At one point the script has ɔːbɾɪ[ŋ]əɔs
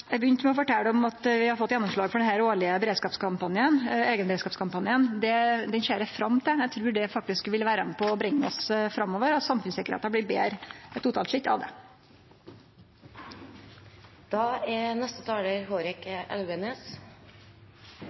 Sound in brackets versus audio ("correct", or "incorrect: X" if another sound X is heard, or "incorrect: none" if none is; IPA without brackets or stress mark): incorrect: ŋː